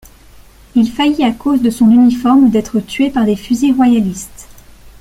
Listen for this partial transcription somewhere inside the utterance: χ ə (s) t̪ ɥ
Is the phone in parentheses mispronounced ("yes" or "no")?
yes